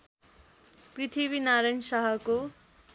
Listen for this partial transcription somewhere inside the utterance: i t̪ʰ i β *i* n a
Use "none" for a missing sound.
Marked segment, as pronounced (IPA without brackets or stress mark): i